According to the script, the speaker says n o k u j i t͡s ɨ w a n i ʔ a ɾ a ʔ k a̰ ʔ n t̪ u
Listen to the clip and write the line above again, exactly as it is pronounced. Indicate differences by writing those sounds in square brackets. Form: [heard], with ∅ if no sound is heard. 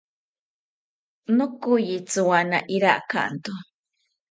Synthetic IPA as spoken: n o k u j i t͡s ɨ w a n [a] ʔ [i] ɾ a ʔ k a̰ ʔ n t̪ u